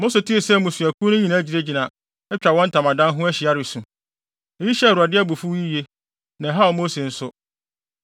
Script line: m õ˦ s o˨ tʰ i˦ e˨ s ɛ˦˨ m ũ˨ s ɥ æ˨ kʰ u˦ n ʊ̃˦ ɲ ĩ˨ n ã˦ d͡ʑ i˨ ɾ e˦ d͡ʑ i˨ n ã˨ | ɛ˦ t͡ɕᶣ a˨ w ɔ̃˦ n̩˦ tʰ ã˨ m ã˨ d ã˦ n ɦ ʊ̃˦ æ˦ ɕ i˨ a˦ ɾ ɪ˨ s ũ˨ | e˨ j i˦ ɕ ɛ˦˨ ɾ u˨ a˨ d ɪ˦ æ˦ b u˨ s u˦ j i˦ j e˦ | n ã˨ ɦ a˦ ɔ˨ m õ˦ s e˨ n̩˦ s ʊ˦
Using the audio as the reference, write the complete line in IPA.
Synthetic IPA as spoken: m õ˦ s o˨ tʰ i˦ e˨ s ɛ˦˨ m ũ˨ s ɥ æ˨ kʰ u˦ n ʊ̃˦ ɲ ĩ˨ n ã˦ d͡ʑ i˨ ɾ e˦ d͡ʑ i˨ n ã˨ | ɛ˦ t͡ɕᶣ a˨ w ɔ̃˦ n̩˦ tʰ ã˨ m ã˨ d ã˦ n ɦ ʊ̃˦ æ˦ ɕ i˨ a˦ ɾ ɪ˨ s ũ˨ | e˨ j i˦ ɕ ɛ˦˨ ɾ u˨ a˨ d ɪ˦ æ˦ b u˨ f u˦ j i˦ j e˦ | n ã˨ ɦ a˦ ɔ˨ m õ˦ s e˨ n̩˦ s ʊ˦